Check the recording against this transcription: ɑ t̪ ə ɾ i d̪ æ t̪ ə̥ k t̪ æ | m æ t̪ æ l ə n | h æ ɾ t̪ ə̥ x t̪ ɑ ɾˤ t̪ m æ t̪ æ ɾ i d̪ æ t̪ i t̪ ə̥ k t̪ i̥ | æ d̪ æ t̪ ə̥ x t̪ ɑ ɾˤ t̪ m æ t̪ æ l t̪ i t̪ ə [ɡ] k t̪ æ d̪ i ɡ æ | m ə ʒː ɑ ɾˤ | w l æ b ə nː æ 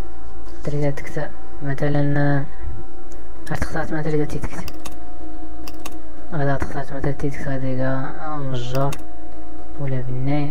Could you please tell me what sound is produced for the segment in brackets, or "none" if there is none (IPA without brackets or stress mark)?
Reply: none